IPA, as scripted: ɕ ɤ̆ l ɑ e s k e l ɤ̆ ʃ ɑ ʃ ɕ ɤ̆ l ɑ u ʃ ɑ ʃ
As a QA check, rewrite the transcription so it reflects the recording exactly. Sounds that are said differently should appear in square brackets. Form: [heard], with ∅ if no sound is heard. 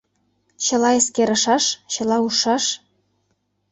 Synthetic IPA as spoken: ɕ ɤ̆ l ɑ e s k e [ɾ] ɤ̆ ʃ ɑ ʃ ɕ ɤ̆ l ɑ u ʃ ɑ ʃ